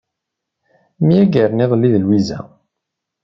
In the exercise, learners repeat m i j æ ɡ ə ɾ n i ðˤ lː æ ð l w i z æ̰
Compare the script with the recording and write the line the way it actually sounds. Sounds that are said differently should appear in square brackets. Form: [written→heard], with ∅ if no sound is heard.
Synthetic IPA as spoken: m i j æ ɡ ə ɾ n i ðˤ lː [æ→i] ð l w i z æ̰